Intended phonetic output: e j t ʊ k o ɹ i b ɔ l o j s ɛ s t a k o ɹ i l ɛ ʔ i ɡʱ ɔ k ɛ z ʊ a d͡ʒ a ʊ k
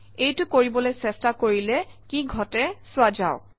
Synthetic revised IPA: e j t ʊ k o ɹ i b ɔ l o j s ɛ s t a k o ɹ i l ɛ k i ɡʱ ɔ t ɛ s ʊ a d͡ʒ a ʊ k